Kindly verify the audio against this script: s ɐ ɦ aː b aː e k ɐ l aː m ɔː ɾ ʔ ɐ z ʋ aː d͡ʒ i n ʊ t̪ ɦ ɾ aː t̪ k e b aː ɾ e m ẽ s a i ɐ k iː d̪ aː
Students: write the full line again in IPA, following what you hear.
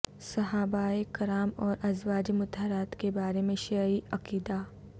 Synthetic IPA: s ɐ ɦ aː b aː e k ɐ ɾ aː m ɔː ɾ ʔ ɐ z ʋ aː d͡ʒ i m ʊ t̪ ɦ ɾ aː t̪ k e b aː ɾ e m ẽ ʃ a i ɐ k iː d̪ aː